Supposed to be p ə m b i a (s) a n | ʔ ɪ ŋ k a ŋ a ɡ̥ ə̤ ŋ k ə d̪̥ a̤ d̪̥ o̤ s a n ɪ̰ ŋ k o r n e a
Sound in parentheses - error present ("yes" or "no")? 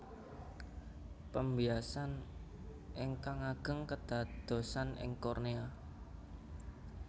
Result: no